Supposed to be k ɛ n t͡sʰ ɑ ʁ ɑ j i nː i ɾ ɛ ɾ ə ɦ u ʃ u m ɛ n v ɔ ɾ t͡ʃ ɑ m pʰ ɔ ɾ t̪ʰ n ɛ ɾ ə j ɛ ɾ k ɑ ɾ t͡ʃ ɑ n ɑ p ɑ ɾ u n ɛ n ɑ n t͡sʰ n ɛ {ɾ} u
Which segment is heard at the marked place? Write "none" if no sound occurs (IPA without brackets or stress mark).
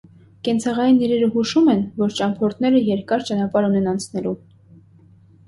l